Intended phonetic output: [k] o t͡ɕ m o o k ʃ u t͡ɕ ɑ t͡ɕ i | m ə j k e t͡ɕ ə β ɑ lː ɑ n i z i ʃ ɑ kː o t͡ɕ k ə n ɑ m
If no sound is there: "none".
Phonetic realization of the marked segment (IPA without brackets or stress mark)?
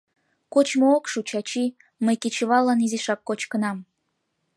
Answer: k